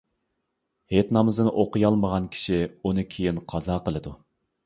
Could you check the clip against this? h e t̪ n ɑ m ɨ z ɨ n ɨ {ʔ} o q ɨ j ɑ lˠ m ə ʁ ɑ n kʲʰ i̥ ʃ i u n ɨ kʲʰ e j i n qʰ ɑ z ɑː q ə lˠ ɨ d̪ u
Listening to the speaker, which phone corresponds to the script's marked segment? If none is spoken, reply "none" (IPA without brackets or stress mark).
ʔ